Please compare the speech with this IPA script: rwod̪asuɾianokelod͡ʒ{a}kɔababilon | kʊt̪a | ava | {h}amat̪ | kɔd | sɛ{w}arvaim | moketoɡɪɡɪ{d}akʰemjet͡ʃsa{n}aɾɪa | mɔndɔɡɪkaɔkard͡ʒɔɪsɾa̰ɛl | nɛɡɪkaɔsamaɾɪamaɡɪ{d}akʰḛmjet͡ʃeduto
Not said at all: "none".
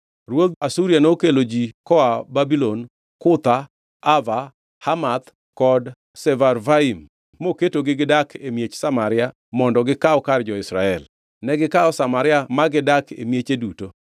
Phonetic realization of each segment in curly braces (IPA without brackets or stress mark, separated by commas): i, h, v, d, m, d